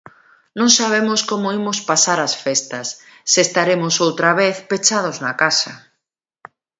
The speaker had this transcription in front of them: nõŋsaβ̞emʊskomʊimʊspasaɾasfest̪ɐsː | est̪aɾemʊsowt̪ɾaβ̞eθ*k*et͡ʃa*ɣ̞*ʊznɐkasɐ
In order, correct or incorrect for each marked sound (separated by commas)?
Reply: incorrect, incorrect